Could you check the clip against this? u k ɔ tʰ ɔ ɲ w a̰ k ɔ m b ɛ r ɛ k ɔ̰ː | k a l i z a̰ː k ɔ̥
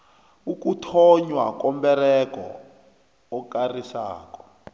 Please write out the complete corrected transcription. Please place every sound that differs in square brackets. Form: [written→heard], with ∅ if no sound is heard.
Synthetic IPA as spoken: u k [ɔ→u] tʰ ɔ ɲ w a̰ k ɔ m b ɛ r ɛ k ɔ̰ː | k a [l→r] i [z→s] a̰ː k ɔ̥